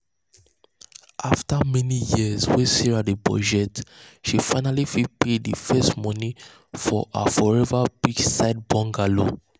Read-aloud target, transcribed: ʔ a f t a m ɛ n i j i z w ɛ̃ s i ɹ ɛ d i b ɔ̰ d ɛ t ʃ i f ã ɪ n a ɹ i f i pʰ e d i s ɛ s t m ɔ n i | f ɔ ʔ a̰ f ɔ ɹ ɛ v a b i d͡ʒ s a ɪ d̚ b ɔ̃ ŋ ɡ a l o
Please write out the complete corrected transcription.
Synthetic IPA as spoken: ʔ a f t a m ɛ n i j i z w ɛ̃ s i ɹ a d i b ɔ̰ d͡ʒ ɛ t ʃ i f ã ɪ n a l i f i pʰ e d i f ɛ s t m ɔ n i | f ɔ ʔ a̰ f ɔ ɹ ɛ v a b i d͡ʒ s a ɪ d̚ b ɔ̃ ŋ ɡ a l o